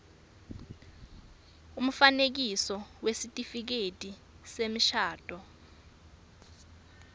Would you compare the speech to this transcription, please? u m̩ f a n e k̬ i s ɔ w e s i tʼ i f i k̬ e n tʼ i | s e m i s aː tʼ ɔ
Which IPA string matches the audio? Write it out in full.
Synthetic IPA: u m̩ f a n e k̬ i s ɔ w e s i tʼ i f i k̬ e tʼ i | s e m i ʃ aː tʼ ɔ